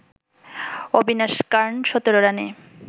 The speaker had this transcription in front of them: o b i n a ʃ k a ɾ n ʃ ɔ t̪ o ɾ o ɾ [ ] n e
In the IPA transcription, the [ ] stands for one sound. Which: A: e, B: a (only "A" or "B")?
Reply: B